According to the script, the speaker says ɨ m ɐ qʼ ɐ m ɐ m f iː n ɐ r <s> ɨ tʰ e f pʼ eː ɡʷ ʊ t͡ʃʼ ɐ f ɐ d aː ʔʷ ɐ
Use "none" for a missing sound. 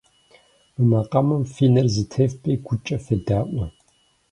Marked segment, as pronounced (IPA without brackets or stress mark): z